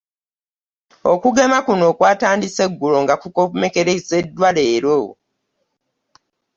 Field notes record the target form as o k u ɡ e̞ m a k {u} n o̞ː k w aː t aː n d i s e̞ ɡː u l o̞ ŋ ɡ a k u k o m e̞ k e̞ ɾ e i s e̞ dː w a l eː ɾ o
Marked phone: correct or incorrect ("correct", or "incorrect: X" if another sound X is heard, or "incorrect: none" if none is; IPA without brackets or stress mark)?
correct